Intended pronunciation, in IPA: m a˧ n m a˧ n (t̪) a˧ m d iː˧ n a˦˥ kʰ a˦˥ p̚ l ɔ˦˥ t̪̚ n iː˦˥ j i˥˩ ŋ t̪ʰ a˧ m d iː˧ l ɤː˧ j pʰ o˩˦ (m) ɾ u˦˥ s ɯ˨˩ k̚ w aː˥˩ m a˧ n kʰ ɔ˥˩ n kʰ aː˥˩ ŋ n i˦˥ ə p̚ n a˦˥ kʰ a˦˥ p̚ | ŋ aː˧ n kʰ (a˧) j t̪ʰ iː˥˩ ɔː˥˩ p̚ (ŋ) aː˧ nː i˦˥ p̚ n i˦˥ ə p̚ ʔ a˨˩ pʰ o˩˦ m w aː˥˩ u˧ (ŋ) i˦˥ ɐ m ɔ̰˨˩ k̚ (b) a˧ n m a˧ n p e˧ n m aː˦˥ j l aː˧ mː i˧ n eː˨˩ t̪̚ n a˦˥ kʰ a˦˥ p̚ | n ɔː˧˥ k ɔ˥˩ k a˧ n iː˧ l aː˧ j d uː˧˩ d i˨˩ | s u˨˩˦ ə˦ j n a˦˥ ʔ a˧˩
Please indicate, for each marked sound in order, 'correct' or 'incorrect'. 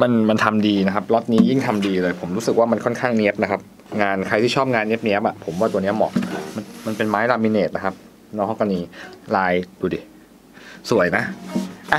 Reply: incorrect, correct, correct, correct, incorrect, incorrect

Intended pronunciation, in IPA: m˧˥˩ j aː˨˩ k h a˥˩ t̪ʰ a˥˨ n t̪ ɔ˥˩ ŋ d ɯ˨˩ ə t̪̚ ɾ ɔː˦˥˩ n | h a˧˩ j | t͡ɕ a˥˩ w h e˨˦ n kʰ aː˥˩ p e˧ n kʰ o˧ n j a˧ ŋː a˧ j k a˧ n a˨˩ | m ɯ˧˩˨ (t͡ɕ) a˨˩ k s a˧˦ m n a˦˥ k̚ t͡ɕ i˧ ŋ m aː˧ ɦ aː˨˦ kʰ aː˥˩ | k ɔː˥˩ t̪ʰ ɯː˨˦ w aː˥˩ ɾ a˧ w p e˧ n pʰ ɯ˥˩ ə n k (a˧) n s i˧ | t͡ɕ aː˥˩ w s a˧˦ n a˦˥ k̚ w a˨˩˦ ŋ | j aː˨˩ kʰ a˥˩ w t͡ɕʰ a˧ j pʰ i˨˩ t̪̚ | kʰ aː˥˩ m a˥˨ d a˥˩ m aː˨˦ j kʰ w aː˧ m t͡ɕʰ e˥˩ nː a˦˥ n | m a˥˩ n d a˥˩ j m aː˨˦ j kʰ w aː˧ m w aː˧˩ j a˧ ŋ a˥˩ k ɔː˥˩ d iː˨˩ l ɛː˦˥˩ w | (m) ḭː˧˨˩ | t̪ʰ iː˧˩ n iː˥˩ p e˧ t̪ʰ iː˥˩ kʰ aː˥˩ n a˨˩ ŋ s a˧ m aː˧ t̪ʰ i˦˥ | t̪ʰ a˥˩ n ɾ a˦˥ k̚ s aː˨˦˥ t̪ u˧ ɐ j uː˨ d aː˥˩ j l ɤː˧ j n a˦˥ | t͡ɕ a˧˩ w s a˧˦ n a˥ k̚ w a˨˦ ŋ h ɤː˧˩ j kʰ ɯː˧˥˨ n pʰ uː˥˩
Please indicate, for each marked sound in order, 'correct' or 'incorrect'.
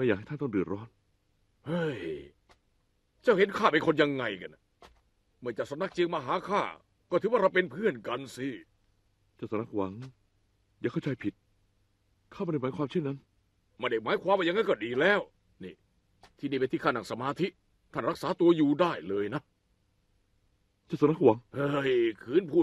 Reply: correct, correct, incorrect

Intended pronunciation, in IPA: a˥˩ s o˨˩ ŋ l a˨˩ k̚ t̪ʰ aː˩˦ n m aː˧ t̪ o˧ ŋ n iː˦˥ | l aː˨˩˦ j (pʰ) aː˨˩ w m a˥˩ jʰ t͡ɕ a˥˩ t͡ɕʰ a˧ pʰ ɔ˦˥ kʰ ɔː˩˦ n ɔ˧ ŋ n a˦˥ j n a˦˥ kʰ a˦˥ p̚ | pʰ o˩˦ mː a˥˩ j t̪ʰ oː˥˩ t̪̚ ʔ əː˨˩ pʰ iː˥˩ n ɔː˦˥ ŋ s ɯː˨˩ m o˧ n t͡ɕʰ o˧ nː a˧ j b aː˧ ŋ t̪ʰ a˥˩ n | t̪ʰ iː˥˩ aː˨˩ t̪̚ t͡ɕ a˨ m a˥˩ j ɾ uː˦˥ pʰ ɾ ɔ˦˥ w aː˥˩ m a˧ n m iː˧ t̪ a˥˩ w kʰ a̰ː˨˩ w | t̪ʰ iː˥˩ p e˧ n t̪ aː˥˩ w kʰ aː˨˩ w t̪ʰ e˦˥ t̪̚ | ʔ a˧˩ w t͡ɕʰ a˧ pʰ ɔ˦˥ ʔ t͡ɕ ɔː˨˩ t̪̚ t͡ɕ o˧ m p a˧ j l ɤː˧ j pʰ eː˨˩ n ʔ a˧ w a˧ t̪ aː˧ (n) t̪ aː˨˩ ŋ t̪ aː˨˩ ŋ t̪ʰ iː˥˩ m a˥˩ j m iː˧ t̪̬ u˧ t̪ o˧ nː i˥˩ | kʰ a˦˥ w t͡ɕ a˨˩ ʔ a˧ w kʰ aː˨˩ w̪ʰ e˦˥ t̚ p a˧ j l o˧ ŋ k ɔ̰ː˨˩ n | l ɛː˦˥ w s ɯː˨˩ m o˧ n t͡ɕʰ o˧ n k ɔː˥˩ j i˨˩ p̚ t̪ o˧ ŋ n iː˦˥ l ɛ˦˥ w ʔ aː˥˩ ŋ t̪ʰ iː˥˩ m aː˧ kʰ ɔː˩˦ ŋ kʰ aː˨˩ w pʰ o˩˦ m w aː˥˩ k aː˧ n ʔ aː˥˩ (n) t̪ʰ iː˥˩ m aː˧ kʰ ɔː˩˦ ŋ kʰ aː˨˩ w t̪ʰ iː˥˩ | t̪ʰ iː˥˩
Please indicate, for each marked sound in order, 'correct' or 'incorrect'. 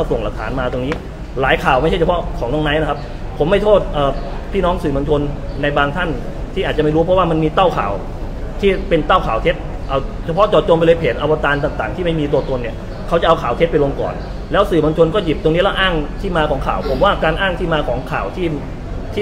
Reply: incorrect, correct, incorrect

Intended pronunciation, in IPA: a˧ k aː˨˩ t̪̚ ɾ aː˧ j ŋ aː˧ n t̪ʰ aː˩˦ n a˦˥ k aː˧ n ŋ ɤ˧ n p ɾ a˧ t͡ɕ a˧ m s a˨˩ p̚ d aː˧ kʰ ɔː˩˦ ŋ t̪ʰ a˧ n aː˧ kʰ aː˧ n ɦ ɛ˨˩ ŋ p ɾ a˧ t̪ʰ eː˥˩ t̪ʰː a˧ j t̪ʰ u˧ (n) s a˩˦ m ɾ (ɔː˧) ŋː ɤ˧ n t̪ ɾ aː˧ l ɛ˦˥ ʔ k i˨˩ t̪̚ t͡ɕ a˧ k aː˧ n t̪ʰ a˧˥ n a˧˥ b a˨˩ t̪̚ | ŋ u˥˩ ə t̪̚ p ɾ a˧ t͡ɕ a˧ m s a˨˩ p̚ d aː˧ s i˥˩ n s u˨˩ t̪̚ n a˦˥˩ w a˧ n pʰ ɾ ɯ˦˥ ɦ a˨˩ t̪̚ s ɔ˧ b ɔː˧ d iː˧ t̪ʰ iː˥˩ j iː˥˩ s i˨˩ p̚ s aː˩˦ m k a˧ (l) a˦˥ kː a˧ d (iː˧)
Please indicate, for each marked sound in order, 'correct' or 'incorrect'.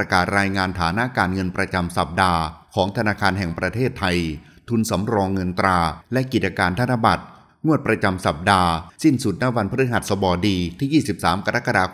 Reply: correct, correct, incorrect, incorrect

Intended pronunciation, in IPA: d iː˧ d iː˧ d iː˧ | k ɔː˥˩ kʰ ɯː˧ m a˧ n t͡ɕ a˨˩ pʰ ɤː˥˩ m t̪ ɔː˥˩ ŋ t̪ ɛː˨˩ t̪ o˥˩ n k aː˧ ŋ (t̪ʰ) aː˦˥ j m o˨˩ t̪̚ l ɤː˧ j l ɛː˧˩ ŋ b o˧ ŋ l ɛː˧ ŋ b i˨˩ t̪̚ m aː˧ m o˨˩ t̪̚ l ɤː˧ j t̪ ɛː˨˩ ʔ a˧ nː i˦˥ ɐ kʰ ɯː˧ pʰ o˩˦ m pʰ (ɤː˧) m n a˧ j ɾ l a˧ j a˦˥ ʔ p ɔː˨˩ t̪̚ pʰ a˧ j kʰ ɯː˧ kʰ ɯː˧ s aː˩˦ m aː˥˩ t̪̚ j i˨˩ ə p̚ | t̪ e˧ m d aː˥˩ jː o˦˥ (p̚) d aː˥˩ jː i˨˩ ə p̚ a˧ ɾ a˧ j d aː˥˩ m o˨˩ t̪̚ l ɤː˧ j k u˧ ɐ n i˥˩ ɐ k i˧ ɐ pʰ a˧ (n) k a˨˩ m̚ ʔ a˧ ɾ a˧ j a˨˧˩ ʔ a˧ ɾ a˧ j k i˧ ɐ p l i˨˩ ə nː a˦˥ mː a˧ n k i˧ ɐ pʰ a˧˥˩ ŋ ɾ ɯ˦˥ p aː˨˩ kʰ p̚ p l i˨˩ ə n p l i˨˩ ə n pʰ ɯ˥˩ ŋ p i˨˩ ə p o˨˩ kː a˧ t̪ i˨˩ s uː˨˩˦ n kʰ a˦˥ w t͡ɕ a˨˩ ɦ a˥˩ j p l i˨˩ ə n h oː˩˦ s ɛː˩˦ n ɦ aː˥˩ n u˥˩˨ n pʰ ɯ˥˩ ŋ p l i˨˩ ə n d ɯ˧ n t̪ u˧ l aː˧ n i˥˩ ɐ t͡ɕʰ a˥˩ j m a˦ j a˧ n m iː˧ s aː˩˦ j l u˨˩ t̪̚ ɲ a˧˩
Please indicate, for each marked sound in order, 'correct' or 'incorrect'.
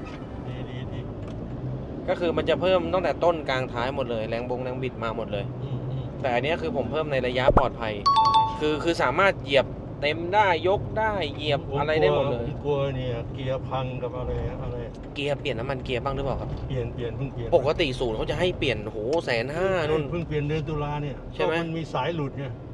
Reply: correct, incorrect, incorrect, incorrect

